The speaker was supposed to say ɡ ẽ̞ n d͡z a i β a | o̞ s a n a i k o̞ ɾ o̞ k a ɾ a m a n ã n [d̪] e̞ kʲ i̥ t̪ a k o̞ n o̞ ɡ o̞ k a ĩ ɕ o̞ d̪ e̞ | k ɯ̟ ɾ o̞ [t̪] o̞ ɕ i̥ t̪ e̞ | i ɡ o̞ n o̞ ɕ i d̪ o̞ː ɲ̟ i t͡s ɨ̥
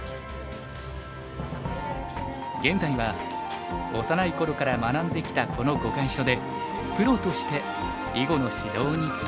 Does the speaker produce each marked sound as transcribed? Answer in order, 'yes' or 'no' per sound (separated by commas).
yes, yes